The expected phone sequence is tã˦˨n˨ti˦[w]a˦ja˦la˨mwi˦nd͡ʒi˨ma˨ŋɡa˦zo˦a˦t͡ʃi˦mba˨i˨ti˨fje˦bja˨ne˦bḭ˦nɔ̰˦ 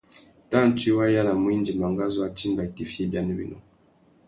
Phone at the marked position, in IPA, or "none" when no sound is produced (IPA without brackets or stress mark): w